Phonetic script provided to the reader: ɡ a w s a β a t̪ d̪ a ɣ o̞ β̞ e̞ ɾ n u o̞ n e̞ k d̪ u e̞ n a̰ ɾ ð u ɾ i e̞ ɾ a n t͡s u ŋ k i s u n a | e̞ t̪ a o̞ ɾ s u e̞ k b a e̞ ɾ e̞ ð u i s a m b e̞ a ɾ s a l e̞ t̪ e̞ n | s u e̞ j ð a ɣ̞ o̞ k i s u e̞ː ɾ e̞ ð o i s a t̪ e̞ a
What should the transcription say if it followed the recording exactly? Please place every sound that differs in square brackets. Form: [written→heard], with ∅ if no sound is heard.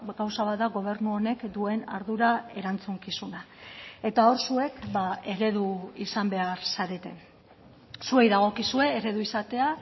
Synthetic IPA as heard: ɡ a w s a β a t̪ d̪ a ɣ o̞ β̞ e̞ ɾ n u o̞ n e̞ k d̪ u e̞ n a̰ ɾ ð u ɾ [i→a] e̞ ɾ a n t͡s u ŋ k i s u n a | e̞ t̪ a o̞ ɾ s u e̞ k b a e̞ ɾ e̞ ð u i s a m b e̞ a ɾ s a [l→ɾ] e̞ t̪ e̞ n | s u e̞ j ð a ɣ̞ o̞ k i s u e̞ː ɾ e̞ ð [o→u] i s a t̪ e̞ a